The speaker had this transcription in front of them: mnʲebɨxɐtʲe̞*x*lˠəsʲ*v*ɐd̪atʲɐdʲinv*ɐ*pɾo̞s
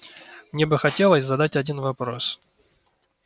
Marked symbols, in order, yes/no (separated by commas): no, no, yes